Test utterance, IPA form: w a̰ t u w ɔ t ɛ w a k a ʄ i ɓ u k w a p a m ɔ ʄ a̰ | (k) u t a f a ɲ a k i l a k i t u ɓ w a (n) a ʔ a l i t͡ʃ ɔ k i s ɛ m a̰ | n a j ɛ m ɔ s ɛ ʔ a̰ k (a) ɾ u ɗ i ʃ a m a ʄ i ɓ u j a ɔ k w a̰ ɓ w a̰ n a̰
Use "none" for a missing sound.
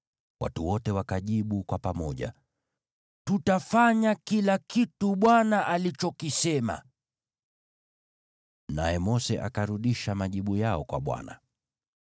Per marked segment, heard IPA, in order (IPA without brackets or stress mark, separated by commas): t, n, a